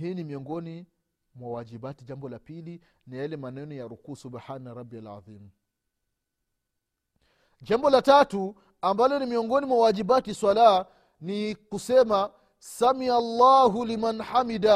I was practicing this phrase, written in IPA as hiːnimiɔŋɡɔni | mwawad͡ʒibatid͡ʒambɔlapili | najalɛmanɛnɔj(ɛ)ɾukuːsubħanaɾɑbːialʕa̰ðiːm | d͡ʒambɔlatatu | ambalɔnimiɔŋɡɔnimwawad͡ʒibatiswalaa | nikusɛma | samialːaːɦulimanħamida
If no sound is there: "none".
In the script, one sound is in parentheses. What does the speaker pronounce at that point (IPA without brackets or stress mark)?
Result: a